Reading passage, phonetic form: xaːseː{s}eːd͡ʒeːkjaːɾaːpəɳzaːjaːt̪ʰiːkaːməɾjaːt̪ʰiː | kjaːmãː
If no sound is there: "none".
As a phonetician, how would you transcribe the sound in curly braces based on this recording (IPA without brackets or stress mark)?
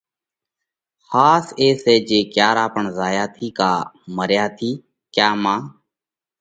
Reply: s